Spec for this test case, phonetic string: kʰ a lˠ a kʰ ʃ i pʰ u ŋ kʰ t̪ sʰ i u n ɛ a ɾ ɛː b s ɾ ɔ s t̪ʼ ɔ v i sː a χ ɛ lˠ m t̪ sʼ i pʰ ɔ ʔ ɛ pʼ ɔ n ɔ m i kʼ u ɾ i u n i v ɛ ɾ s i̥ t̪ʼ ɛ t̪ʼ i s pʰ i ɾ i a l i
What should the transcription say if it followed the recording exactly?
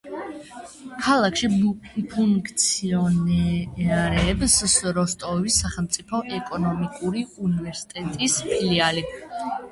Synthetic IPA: kʰ a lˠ a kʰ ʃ i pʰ u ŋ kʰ t̪ sʰ i ɔ n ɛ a ɾ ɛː b s ɾ ɔ s t̪ʼ ɔ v i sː a χ ɛ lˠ m t̪ sʼ i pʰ ɔ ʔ ɛ kʼ ɔ n ɔ m i kʼ u ɾ i u n i v ɛ ɾ s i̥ t̪ʼ ɛ t̪ʼ i s pʰ i l i a l i